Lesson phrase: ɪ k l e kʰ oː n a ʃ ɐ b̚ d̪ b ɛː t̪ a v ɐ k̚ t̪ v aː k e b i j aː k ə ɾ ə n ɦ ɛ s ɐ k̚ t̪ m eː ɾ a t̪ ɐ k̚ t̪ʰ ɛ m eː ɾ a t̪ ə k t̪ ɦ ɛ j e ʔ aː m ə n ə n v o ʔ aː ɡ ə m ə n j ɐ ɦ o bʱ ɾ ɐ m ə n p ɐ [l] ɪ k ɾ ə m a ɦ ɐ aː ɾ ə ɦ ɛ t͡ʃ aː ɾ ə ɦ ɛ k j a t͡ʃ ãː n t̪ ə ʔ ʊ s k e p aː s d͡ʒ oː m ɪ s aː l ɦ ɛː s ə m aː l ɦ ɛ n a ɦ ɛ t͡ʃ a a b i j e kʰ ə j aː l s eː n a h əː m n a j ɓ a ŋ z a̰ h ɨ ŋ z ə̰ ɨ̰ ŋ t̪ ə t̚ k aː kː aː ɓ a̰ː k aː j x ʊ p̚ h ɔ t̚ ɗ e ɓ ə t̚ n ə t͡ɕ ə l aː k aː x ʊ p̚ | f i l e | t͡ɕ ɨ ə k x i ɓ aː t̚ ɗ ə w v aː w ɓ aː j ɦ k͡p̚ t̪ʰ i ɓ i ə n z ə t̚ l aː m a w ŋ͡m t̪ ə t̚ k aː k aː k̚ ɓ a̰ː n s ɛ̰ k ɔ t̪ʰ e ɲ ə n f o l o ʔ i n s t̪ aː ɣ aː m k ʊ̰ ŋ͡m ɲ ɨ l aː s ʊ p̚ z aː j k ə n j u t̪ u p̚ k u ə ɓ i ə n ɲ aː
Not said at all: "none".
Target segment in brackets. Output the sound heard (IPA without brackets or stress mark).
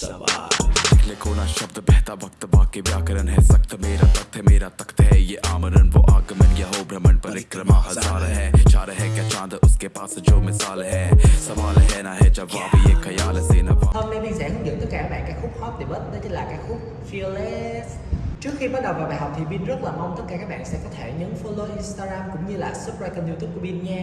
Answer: ɾ